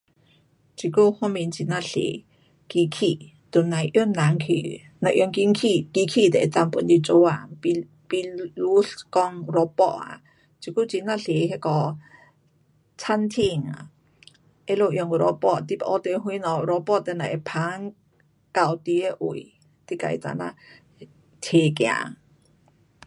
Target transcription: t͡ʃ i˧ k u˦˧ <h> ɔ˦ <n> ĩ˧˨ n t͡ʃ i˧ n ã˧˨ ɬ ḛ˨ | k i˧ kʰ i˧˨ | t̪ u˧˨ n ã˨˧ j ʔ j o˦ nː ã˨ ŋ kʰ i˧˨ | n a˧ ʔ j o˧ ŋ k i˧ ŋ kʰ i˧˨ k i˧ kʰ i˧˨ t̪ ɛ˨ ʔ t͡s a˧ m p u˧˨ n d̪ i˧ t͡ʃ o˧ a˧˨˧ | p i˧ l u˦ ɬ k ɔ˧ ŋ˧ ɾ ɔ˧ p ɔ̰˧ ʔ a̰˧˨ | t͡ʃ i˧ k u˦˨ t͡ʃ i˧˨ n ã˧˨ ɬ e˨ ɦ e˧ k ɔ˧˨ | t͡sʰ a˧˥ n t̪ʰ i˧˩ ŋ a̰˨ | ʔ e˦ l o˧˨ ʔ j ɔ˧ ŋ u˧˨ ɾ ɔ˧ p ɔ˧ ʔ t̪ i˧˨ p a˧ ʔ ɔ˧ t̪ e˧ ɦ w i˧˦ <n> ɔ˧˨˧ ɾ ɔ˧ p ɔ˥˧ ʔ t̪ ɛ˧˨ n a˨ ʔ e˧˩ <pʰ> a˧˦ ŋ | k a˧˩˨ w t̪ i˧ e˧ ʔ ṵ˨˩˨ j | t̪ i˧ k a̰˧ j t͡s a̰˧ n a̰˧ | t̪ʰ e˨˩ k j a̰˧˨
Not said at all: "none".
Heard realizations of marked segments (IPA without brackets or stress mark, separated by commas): h, m, n, pʰ